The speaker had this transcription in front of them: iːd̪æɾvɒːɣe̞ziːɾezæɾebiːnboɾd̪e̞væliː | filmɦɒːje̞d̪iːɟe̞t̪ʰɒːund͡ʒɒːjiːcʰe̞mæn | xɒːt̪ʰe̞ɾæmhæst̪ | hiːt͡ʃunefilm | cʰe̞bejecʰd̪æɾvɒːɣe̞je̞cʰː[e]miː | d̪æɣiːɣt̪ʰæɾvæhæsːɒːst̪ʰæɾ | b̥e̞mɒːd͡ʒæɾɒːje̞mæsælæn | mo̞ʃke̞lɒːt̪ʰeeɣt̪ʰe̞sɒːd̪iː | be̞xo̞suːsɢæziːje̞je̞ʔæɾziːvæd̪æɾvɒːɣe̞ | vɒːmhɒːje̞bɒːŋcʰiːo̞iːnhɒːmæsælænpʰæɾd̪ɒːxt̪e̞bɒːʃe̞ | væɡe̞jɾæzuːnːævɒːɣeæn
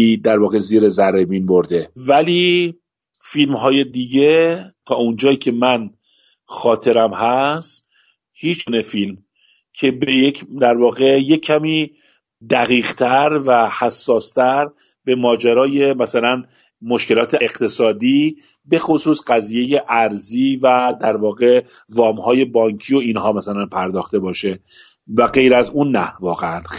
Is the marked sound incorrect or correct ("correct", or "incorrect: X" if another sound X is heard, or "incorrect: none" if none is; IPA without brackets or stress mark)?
incorrect: æ